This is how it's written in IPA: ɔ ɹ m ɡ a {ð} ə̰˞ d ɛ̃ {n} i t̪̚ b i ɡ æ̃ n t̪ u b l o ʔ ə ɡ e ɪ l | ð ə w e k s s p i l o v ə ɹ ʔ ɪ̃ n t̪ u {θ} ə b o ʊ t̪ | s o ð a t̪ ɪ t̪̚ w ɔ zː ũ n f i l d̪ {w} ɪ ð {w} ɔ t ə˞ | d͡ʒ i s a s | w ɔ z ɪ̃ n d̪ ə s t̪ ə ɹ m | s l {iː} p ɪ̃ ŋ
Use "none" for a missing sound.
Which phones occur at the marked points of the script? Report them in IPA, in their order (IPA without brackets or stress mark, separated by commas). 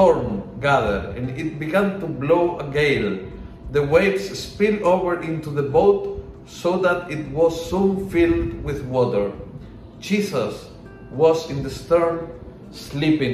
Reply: ð, n, ð, w, w, i